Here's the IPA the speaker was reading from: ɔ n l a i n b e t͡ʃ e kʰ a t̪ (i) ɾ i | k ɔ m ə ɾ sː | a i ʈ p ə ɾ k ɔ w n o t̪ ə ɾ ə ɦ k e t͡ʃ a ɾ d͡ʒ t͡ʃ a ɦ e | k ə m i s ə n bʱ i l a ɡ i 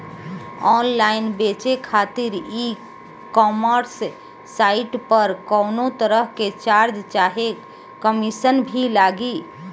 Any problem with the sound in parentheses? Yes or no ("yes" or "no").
no